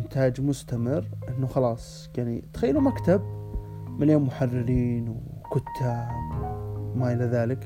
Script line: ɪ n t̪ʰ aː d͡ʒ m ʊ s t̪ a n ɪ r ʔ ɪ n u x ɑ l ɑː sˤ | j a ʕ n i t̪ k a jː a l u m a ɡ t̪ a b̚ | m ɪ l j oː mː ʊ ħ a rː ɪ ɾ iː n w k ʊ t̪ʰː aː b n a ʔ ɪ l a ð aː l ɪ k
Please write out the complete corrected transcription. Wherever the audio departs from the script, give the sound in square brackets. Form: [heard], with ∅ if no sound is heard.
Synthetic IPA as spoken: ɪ n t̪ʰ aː d͡ʒ m ʊ s t̪ a [m] ɪ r ʔ ɪ [nː] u x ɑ l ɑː sˤ | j a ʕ n i t̪ [x] a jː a l u m a [k] t̪ a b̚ | m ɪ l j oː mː ʊ ħ a rː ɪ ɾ iː n w k ʊ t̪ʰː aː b [m] a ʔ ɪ l a ð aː l ɪ k